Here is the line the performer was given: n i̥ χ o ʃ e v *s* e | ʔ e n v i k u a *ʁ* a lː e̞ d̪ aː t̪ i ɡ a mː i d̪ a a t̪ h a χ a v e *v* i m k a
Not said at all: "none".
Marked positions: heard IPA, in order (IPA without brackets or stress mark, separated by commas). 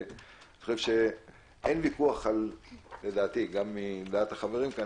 ʃ, χ, ʁ